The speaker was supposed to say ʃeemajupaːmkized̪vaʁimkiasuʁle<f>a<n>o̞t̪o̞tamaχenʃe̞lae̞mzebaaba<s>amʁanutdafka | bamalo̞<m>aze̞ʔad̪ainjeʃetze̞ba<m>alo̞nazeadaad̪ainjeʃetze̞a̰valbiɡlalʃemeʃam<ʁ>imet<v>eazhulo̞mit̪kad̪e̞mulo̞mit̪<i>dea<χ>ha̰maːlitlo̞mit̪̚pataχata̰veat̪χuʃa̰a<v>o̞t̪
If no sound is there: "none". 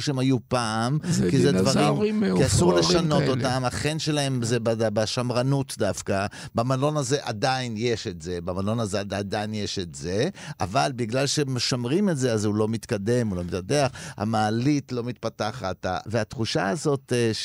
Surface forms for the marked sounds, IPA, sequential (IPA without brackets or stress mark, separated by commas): ʃ, n, ʃ, n, m, ʁ, z, a, χ, z